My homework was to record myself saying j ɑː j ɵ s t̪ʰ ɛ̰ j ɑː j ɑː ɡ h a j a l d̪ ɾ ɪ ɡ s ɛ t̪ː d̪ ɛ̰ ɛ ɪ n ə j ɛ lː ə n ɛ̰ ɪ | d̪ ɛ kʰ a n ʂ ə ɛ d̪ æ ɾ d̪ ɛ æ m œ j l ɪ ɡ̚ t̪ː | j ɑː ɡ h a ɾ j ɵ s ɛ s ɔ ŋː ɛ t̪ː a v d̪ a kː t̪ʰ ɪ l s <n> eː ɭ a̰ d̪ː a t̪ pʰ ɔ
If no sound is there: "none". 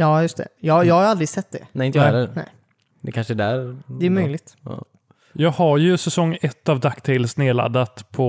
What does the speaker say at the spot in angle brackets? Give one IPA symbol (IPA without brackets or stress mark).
n